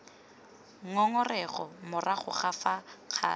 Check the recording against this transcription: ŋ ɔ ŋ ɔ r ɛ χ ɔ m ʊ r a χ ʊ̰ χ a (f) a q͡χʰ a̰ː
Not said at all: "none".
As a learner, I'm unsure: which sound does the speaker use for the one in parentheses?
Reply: f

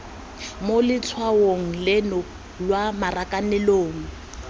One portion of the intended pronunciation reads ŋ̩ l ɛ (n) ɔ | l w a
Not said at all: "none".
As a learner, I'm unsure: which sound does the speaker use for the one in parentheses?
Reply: n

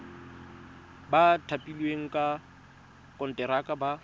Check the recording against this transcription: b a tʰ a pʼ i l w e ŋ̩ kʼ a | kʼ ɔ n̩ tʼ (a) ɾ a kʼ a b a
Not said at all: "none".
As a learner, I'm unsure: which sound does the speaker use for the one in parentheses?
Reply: ɛ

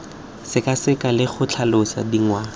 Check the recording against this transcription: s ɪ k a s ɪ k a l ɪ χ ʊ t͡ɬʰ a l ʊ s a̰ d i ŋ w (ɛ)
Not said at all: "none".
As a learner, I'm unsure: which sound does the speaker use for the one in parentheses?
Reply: a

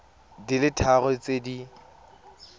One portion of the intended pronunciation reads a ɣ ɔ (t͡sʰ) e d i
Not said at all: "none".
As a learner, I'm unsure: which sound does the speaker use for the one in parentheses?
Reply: t͡s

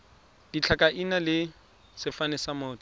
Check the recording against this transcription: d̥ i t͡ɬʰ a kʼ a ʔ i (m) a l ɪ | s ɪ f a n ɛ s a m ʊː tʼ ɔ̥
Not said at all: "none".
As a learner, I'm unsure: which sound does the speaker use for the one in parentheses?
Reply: n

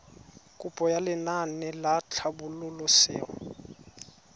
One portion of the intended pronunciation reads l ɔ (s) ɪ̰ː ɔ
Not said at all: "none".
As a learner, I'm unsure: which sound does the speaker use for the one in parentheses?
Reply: s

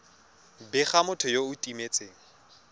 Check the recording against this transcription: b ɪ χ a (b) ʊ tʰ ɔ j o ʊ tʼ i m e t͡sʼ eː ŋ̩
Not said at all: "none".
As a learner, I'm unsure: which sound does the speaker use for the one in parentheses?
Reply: m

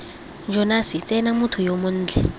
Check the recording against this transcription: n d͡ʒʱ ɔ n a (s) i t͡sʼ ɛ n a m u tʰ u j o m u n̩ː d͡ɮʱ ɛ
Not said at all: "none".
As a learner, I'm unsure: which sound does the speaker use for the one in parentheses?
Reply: s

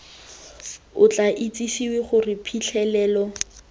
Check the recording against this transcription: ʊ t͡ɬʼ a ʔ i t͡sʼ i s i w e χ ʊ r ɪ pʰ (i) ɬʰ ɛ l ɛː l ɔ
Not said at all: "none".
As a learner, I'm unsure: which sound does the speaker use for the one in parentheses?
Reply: i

